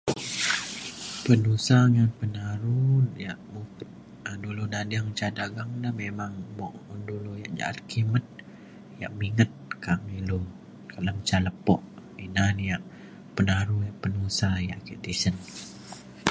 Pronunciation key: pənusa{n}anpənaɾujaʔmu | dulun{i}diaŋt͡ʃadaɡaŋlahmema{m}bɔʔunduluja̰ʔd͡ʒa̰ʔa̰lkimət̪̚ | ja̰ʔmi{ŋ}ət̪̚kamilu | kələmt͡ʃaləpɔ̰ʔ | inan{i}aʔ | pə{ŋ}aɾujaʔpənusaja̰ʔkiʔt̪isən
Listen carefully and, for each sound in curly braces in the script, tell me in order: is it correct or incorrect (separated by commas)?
incorrect, incorrect, incorrect, correct, incorrect, incorrect